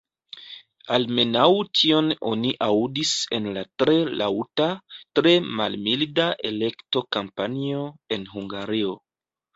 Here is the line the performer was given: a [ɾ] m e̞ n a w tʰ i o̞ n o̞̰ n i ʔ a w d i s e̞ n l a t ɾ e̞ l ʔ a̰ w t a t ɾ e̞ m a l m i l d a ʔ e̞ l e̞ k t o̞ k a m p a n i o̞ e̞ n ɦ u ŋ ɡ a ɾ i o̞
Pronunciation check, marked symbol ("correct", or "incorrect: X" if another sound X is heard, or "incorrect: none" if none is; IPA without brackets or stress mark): incorrect: l